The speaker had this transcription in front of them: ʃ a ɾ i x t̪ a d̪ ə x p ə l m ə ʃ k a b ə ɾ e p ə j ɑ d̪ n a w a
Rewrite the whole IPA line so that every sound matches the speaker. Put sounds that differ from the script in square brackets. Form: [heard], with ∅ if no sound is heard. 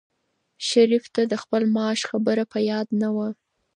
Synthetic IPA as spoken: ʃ a ɾ i [f] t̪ a d̪ ə x p ə l m [ɑ] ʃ [x] a b ə ɾ [a] p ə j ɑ d̪ n a w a